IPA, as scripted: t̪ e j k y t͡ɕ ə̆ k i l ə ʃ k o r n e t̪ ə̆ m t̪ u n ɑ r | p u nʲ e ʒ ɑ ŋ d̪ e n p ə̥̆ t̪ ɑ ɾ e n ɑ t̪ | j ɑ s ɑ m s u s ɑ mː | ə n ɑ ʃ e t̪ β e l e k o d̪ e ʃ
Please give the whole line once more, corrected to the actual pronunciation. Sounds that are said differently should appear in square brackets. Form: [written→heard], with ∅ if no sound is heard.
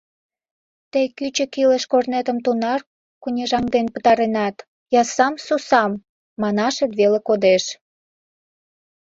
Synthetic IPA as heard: t̪ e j k y t͡ɕ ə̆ k i l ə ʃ k o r n e t̪ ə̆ m t̪ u n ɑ r | [p→k] u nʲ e ʒ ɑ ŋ d̪ e n p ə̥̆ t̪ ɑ ɾ e n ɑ t̪ | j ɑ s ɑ m s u s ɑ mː | [ə→ɑ] n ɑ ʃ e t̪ β e l e k o d̪ e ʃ